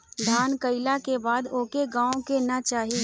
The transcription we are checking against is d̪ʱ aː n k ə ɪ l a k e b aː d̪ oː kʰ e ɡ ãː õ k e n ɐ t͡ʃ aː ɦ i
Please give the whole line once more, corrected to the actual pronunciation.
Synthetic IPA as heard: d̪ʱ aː n k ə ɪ l a k e b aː d̪ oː k e ɡ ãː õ k e n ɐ t͡ʃ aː ɦ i